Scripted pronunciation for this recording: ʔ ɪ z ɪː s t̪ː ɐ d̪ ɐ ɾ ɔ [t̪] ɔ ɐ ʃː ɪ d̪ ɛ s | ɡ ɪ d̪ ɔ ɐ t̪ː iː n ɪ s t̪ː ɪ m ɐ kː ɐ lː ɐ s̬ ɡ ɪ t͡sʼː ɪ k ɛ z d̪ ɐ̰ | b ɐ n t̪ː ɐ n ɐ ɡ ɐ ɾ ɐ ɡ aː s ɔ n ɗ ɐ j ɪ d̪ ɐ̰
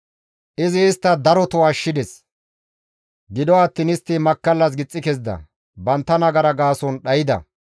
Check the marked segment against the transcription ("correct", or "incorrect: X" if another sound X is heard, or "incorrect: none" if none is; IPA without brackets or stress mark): correct